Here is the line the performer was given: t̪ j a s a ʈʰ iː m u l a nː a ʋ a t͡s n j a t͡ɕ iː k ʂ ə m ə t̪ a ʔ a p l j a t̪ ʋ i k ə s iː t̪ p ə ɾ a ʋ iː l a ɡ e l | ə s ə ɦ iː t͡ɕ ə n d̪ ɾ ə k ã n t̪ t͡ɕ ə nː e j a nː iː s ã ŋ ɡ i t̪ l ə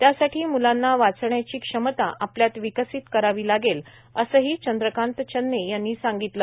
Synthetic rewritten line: t̪ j a s a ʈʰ iː m u l a nː a ʋ a t͡s ɳ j a t͡ɕ iː k ʂ ə m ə t̪ a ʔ a p l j a t̪ ʋ i k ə s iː t̪ k ə ɾ a ʋ iː l a ɡ e l | ə s ə ɦ iː t͡ɕ ə n d̪ ɾ ə k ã n t̪ t͡ɕ ə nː e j a nː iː s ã ŋ ɡ i t̪ l ə